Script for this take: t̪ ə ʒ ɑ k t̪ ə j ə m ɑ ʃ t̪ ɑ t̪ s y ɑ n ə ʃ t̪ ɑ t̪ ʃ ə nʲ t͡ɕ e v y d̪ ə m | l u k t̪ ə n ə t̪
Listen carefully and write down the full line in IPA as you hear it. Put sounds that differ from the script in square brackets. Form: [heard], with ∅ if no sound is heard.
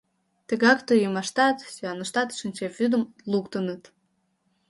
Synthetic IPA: t̪ ə [ɣ] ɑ k t̪ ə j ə m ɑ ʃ t̪ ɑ t̪ s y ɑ n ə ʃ t̪ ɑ t̪ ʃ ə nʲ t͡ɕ e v y d̪ ə m | l u k t̪ ə n ə t̪